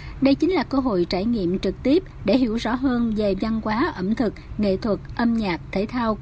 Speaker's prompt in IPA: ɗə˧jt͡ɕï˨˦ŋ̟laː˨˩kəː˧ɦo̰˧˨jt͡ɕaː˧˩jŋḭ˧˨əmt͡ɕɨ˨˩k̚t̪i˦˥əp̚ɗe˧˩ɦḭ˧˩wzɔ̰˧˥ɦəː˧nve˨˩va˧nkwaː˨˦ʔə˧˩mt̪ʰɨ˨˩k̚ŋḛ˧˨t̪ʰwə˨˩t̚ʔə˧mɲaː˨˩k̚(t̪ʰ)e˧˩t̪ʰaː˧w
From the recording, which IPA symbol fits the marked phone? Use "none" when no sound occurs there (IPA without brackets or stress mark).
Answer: t̪ʰ